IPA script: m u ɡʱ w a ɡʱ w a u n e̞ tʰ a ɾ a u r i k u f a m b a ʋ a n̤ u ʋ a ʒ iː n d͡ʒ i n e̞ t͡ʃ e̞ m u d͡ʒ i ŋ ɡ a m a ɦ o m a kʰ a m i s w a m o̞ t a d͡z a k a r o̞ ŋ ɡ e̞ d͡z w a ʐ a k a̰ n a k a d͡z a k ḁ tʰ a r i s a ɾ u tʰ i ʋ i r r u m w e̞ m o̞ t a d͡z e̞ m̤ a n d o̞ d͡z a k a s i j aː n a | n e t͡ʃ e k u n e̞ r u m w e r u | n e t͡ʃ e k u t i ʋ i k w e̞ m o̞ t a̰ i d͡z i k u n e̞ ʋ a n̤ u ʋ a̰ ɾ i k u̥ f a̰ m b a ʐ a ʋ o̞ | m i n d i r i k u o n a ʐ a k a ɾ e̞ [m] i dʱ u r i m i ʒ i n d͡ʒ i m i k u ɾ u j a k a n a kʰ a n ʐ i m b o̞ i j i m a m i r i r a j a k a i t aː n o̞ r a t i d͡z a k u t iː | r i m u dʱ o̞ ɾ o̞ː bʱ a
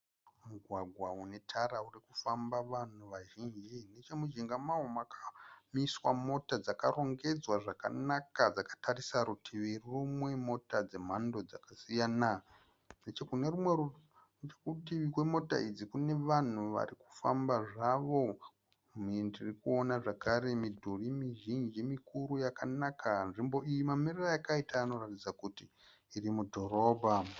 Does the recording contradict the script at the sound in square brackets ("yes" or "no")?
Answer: no